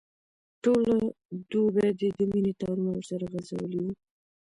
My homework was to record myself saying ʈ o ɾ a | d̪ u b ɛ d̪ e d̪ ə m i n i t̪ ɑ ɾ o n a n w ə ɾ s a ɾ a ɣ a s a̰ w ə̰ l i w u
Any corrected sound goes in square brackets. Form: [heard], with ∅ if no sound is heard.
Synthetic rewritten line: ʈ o [l] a | d̪ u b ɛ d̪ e d̪ ə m i n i t̪ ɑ ɾ [u] n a [∅] w ə ɾ s a ɾ a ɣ a [z] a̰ w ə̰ l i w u